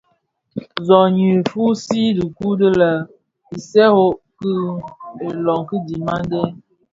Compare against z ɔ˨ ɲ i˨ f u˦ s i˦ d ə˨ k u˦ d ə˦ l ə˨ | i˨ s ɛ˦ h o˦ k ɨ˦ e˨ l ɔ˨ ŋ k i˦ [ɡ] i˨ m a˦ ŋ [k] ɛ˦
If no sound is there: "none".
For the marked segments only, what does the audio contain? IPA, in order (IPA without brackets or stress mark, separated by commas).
d, ɡ